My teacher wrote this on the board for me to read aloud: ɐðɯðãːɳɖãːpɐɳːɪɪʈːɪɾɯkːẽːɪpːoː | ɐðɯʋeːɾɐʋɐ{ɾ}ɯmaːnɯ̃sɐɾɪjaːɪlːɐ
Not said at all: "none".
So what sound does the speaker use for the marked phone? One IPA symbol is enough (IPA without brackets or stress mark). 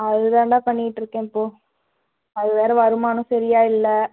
ɾ